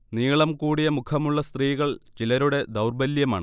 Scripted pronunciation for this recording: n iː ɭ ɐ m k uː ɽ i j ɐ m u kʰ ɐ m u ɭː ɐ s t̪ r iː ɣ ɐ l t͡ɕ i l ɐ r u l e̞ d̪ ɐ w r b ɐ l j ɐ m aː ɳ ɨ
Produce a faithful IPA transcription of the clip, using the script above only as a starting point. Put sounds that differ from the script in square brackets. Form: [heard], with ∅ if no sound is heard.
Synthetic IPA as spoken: n iː ɭ ɐ m k uː ɽ i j ɐ m u kʰ ɐ m u ɭː ɐ s t̪ r iː ɣ ɐ [ɭ] t͡ɕ i l ɐ [ɾ] u [ɽ] e̞ d̪ ɐ w r b ɐ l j ɐ m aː ɳ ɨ

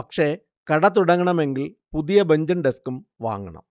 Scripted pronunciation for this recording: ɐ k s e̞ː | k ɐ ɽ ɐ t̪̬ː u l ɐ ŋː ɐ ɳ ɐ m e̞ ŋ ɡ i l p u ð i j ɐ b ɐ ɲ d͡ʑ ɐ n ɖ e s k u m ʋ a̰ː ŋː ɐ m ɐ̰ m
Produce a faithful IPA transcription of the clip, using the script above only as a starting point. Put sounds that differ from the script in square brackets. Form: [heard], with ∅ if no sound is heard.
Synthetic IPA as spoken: ɐ k [ʂ] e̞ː | k ɐ ɽ ɐ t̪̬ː u [ɽ] ɐ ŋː ɐ ɳ ɐ m e̞ ŋ ɡ i l p u ð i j ɐ b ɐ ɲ d͡ʑ ɐ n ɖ e s k u m ʋ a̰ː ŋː ɐ [ɳ] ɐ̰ m

